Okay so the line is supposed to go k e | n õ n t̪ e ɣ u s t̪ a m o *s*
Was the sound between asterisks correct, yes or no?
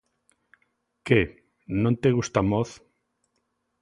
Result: no